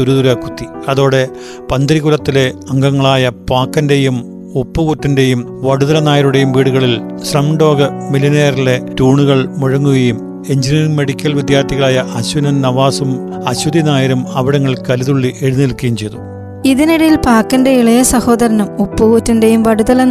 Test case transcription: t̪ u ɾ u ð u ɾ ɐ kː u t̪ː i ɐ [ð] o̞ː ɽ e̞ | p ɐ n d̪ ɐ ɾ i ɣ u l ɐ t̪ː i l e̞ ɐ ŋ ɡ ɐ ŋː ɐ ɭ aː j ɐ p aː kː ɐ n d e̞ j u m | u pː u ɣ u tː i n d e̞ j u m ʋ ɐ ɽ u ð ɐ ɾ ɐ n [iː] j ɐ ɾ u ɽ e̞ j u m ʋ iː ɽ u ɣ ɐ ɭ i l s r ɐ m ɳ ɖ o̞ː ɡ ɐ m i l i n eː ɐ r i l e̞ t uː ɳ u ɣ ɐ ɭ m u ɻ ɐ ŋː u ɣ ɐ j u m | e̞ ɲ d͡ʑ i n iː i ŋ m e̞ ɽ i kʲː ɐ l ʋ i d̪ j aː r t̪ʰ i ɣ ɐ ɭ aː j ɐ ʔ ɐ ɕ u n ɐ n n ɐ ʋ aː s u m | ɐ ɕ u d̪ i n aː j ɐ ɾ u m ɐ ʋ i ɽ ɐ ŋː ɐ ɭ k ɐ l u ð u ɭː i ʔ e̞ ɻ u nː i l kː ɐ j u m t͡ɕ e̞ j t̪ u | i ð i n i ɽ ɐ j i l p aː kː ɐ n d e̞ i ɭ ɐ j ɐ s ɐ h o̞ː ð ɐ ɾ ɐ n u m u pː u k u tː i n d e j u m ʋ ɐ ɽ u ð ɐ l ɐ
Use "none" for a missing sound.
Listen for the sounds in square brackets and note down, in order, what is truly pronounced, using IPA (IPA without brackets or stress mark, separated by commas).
ð, aː